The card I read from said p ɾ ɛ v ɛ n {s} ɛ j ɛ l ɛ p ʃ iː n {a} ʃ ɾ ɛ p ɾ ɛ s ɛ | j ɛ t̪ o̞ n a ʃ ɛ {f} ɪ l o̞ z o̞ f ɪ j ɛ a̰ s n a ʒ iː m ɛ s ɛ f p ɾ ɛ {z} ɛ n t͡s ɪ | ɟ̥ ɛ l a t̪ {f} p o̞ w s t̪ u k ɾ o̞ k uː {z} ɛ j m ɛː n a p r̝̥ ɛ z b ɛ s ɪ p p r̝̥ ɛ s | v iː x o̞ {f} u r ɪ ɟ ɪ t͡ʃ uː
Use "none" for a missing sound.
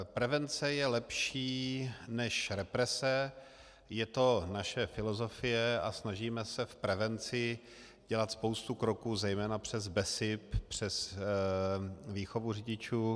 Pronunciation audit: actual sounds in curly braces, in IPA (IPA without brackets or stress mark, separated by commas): t͡s, ɛ, f, v, s, z, v